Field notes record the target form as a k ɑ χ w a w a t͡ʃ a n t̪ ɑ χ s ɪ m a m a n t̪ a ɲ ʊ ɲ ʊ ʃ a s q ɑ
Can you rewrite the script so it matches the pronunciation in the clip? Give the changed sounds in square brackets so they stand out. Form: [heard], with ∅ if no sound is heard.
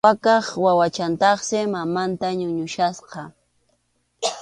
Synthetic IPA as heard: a k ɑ χ w a w a t͡ʃ a n t̪ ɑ χ s ɪ m a m a n t̪ a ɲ ʊ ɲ ʊ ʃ a s q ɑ

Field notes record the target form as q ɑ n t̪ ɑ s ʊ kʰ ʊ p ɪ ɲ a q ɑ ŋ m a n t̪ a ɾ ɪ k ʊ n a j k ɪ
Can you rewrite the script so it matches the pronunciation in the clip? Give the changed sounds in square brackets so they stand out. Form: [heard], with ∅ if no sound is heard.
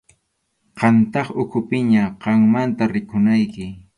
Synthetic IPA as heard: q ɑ n t̪ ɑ [χ] ʊ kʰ ʊ p ɪ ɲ a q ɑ ŋ m a n t̪ a ɾ ɪ k ʊ n a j k ɪ

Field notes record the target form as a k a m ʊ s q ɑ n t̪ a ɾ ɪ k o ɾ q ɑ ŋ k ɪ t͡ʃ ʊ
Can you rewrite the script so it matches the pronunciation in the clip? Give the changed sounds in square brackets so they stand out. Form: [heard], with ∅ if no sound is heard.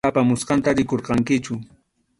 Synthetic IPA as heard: a [p] a m ʊ s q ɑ n t̪ a ɾ ɪ k o ɾ q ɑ ŋ k ɪ t͡ʃ ʊ

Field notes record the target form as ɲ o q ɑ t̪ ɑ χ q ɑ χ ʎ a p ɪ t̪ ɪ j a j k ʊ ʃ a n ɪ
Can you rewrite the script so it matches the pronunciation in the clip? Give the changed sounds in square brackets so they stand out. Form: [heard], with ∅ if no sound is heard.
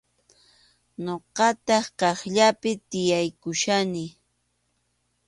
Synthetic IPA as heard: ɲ o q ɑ t̪ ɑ χ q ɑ χ ʎ a p ɪ t̪ ɪ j a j k ʊ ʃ a n ɪ

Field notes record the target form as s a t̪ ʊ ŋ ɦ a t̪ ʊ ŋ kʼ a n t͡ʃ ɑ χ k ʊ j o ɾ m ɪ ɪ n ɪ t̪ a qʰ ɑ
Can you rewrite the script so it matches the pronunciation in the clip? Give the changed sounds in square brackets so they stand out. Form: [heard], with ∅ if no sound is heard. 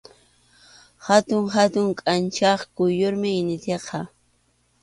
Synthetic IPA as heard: [h] a t̪ ʊ ŋ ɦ a t̪ ʊ ŋ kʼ a n t͡ʃ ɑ χ k ʊ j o ɾ m ɪ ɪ n ɪ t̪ [e] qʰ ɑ

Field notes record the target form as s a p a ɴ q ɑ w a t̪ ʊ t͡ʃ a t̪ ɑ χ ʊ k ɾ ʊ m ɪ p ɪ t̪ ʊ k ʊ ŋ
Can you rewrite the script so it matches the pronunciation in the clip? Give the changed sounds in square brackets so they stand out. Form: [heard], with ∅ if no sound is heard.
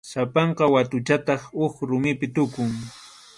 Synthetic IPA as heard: s a p [ɑ] ɴ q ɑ w a t̪ ʊ t͡ʃ a t̪ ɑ χ ʊ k ɾ ʊ m ɪ p ɪ t̪ ʊ k ʊ ŋ

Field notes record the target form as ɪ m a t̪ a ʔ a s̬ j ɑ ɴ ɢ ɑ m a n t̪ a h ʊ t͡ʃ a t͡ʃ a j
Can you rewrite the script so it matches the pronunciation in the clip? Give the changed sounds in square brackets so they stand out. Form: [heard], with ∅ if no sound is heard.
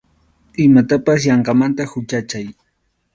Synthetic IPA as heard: ɪ m a t̪ a [p] a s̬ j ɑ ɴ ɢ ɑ m a n t̪ a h ʊ t͡ʃ a t͡ʃ a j

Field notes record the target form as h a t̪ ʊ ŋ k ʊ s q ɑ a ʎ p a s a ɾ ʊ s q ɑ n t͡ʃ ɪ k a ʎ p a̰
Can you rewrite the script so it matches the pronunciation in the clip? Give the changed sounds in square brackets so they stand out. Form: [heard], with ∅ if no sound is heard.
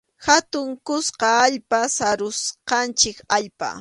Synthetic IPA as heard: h a t̪ ʊ ŋ k ʊ s q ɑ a ʎ p a s a ɾ ʊ s q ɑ n t͡ʃ ɪ k a ʎ p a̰

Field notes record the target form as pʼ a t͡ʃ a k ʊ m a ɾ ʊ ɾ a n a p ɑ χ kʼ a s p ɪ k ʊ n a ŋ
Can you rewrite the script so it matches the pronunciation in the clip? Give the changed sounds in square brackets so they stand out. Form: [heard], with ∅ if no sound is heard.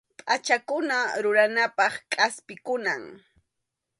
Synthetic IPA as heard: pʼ a t͡ʃ a k ʊ [n] a ɾ ʊ ɾ a n a p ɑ χ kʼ a s p ɪ k ʊ n a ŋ

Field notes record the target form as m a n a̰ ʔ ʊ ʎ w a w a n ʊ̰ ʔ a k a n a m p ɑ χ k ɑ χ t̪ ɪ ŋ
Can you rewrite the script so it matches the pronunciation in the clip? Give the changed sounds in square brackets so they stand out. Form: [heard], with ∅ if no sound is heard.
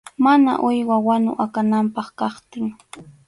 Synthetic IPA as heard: m a n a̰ ʔ ʊ [j] w a w a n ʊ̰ ʔ a k a n a m p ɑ χ k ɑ χ t̪ ɪ ŋ

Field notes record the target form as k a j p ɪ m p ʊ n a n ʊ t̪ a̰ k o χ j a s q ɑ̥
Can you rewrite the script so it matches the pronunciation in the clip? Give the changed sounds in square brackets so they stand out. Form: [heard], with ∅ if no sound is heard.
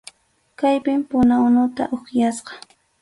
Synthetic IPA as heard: k a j p ɪ m p ʊ n a n ʊ t̪ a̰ [ʔ] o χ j a s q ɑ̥

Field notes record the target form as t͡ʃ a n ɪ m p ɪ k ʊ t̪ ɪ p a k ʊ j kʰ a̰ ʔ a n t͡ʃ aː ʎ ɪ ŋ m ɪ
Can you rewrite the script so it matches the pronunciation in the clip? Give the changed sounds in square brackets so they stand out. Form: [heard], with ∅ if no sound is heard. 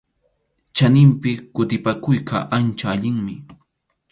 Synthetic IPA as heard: t͡ʃ a n ɪ m p ɪ k ʊ t̪ ɪ p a k ʊ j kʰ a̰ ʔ a n t͡ʃ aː ʎ ɪ ŋ m ɪ

